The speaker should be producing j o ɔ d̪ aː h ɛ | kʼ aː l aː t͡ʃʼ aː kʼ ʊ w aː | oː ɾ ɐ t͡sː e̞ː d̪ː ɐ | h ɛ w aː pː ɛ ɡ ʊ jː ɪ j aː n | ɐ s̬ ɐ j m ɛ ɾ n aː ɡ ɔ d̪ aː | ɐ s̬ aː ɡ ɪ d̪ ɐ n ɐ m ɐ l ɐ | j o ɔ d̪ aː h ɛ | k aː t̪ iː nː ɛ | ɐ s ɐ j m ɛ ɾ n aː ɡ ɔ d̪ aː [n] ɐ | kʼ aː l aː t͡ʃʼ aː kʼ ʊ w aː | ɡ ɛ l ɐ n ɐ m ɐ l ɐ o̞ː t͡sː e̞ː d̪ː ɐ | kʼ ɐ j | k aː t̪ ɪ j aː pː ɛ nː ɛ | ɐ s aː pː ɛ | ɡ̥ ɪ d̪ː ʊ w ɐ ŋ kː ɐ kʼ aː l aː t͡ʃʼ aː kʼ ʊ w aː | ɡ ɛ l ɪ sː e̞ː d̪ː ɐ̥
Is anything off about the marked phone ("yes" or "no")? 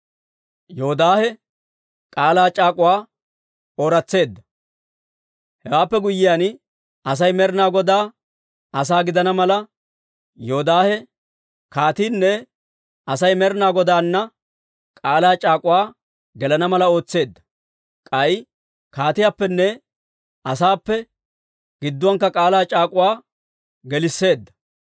yes